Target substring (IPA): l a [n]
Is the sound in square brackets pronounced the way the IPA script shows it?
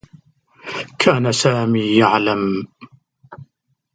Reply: no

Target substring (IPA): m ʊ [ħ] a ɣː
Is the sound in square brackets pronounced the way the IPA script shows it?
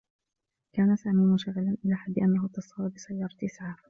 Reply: no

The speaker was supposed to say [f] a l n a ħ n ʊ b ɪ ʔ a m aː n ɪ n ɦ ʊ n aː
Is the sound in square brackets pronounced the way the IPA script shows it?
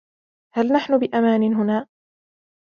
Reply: no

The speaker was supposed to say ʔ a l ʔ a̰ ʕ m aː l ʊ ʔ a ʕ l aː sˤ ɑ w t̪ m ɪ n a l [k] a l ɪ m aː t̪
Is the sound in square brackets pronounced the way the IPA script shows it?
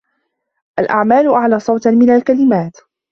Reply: yes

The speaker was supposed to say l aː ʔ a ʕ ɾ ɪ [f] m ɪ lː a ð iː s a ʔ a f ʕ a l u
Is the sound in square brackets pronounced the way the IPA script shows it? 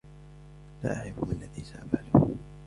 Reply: yes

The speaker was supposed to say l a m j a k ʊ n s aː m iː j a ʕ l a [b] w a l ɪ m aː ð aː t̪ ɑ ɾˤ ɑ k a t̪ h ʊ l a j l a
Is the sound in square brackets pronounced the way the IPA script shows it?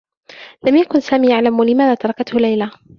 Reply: no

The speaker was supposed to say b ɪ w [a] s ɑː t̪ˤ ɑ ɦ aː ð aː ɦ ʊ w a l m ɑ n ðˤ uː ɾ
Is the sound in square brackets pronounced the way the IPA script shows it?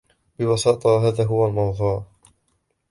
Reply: no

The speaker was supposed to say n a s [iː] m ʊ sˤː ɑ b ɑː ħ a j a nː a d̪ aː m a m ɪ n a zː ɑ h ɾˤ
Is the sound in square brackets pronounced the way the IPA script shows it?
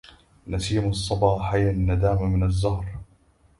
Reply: yes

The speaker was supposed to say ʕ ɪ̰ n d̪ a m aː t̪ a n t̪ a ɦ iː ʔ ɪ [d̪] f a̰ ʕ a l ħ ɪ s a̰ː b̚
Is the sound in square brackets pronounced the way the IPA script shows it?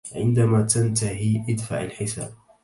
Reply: yes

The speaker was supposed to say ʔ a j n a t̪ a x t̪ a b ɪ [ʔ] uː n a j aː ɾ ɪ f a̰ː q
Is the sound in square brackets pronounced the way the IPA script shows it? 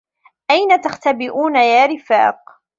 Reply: yes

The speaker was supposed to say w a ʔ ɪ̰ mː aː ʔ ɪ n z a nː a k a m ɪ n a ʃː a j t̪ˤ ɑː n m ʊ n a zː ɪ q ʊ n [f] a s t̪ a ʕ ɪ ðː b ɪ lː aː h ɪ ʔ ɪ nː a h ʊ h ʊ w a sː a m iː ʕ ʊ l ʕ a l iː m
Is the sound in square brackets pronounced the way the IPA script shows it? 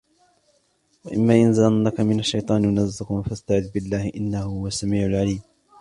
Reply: yes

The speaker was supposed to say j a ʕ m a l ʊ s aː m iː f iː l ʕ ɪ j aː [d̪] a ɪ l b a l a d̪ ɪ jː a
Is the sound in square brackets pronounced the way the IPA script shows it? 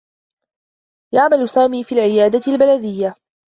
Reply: yes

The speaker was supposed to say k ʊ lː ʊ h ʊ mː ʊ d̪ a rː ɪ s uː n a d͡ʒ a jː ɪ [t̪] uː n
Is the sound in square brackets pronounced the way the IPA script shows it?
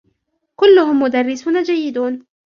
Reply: no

